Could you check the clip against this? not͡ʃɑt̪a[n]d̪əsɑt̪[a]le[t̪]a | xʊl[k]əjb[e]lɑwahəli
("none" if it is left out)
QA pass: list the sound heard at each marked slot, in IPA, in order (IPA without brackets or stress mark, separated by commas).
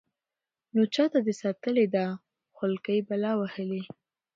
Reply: none, ə, d̪, k, a